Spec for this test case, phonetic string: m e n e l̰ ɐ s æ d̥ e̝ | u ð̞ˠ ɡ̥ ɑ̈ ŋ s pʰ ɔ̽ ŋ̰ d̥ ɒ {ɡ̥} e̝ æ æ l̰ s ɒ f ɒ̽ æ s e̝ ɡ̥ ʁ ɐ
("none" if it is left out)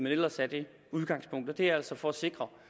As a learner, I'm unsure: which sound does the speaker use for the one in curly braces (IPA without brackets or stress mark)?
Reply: d̥